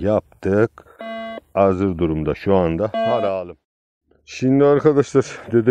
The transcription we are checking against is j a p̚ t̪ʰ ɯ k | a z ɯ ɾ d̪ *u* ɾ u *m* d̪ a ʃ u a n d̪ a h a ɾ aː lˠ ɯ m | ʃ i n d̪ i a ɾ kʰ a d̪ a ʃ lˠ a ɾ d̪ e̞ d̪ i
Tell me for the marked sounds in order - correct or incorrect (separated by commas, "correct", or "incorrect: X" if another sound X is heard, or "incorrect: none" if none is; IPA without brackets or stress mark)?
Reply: correct, correct